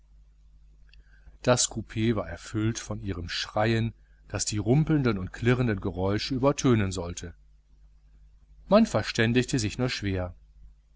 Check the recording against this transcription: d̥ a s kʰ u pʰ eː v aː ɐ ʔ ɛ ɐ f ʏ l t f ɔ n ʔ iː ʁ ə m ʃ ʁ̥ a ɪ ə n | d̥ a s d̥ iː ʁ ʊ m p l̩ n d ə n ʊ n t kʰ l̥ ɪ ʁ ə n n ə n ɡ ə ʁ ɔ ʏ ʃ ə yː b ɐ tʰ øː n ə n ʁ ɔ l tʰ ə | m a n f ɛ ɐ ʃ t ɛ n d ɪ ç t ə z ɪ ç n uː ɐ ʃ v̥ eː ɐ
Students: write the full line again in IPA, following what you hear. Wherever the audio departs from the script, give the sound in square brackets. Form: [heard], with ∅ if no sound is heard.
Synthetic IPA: d̥ a s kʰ u pʰ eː v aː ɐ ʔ ɛ ɐ f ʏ l t f ɔ n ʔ iː ʁ ə m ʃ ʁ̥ a ɪ ə n | d̥ a s d̥ iː ʁ ʊ m p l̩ n d ə n ʊ n t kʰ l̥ ɪ ʁ ə n [d] ə n ɡ ə ʁ ɔ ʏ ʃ ə yː b ɐ tʰ øː n ə n [z] ɔ l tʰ ə | m a n f ɛ ɐ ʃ t ɛ n d ɪ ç t ə z ɪ ç n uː ɐ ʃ v̥ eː ɐ